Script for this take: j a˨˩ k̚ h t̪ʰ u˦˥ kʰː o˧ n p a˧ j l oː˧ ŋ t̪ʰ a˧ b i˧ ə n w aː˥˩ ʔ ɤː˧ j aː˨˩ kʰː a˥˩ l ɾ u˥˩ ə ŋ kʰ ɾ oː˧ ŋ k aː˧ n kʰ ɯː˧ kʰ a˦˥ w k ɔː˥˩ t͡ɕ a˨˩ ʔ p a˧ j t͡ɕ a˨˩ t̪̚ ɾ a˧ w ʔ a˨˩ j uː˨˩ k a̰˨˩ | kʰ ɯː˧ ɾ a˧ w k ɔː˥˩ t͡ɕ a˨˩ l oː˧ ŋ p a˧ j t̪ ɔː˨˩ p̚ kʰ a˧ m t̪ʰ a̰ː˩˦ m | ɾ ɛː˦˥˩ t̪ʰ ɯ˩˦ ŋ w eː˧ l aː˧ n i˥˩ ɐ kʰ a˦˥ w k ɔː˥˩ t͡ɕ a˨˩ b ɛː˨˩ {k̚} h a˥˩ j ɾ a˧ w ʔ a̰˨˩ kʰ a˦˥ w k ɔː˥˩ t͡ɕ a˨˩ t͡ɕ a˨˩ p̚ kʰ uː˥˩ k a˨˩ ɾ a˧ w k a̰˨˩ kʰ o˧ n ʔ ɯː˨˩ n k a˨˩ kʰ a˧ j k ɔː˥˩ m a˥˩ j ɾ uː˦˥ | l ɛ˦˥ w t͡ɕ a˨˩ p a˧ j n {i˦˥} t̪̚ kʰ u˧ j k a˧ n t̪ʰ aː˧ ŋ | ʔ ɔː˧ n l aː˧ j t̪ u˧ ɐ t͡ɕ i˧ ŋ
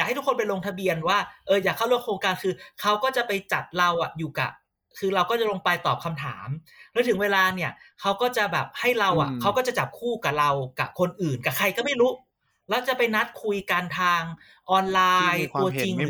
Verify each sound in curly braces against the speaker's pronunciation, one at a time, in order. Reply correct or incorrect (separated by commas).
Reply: incorrect, incorrect